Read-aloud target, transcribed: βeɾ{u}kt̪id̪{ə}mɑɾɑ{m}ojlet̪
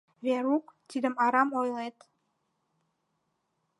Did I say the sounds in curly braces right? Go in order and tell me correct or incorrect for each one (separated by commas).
correct, correct, correct